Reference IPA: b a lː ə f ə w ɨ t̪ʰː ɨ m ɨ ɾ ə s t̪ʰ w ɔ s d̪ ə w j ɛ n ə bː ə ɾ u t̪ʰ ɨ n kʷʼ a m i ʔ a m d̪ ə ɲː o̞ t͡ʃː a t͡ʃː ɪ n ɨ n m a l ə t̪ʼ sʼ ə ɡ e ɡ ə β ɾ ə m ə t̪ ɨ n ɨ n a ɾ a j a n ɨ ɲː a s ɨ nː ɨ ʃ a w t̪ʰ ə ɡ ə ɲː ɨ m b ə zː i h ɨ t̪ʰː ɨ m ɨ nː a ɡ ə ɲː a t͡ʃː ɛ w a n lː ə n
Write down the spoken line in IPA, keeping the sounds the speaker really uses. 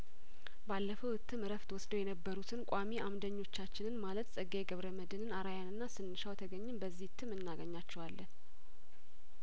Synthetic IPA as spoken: b a lː ə f ə w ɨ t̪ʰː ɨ m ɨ ɾ ə f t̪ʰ w ɔ s d̪ ə w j ɛ n ə bː ə ɾ u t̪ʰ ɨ n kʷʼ a m i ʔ a m d̪ ə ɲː o̞ t͡ʃː a t͡ʃː ɪ n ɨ n m a l ə t̪ sʼ ə ɡ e ɡ ə β ɾ ə m ə d̪ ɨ n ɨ n a ɾ a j a n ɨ nː a s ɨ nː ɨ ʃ a w t̪ʰ ə ɡ ə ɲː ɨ m b ə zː i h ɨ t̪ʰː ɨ m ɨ nː a ɡ ə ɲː a t͡ʃː ɛ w a lː ə n